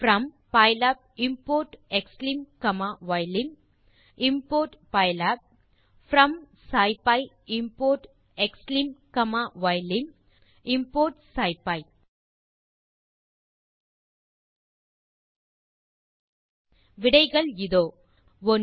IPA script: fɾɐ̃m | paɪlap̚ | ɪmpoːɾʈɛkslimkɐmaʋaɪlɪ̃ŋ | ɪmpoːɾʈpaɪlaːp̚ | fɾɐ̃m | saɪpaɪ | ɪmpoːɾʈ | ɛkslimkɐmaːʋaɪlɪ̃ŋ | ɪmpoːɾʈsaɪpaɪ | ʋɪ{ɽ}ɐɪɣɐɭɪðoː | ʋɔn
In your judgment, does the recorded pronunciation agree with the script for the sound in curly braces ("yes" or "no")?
yes